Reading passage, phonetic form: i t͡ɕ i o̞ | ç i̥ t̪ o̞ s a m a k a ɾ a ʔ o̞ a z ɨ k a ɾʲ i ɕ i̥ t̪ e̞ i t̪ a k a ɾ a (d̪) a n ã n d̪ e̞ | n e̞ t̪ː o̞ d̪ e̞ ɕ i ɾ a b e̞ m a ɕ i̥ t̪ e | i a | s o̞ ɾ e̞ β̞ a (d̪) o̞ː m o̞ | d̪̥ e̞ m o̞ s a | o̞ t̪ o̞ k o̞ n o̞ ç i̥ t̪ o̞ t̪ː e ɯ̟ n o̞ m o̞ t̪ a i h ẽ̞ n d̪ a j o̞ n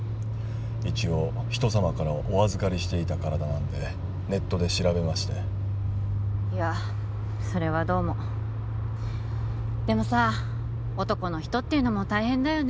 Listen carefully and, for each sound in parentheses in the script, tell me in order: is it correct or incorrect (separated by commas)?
correct, correct